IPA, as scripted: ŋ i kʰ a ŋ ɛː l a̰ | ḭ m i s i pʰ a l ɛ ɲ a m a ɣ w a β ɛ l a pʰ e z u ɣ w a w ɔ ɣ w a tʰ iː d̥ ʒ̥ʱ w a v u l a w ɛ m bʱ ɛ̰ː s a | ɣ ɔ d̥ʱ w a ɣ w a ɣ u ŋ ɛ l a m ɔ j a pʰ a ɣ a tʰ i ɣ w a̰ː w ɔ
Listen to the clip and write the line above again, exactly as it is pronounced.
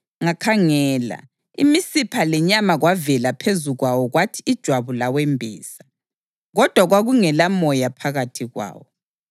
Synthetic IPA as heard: ŋ a kʰ a ŋ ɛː l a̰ | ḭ m i s i pʰ a l ɛ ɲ a m a ɣ w a v ɛ l a pʰ e z u ɣ w a w ɔ ɣ w a tʰ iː d̥ ʒ̥ʱ w a β u l a w ɛ m bʱ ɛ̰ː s a | ɣ ɔ d̥ʱ w a ɣ w a ɣ u ŋ ɛ l a m ɔ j a pʰ a ɣ a tʰ i ɣ w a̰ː w ɔ